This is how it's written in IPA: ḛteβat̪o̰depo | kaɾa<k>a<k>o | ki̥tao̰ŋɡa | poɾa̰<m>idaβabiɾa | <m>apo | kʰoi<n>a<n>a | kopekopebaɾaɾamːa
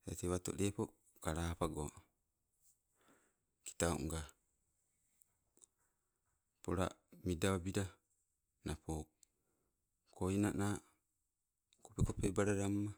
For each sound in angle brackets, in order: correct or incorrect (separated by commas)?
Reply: incorrect, incorrect, correct, incorrect, correct, correct